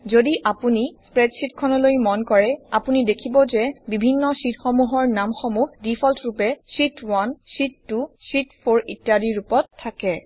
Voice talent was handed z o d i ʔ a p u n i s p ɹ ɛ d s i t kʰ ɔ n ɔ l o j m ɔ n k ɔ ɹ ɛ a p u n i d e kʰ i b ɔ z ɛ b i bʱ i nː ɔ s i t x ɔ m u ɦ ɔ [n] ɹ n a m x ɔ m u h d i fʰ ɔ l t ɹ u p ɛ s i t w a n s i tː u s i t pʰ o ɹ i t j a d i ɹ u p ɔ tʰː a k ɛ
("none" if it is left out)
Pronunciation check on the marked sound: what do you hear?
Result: none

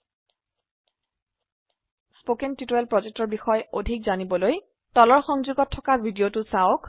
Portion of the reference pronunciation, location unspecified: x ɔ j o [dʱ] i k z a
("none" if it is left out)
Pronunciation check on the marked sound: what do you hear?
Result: dʱ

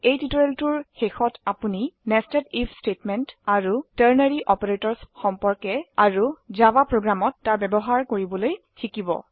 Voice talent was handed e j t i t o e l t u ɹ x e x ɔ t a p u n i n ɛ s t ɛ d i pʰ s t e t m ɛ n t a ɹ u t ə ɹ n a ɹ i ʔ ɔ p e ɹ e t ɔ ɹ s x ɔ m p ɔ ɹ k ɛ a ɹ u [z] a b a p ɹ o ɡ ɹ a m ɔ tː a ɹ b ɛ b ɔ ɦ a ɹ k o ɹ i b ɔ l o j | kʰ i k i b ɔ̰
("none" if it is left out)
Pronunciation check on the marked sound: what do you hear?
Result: z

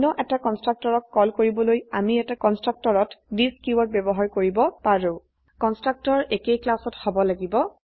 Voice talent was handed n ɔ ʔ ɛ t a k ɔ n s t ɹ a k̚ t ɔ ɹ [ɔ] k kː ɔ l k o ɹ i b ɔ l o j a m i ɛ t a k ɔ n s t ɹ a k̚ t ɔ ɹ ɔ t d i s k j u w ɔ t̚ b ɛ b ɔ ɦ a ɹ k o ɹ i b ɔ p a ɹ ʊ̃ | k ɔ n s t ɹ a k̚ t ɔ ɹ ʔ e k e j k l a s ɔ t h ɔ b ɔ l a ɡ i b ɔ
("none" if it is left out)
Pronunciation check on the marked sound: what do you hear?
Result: ɔ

